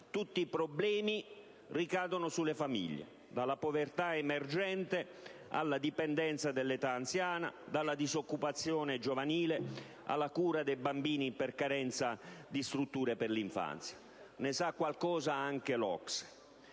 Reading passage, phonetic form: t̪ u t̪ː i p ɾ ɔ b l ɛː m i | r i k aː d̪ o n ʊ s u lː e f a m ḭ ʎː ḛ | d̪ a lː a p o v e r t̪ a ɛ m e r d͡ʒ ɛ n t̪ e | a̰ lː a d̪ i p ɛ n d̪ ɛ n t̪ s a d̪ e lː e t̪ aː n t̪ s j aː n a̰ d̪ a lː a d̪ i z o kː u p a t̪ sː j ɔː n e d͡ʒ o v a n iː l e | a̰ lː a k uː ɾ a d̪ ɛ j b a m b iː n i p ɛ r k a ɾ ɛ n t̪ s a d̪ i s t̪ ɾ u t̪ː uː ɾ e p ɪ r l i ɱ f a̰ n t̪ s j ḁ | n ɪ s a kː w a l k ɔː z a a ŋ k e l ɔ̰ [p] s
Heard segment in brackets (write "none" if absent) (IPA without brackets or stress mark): k